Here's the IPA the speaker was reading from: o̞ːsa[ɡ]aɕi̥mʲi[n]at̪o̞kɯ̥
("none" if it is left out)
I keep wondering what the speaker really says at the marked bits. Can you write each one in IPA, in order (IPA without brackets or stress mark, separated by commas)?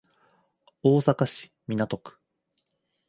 k, n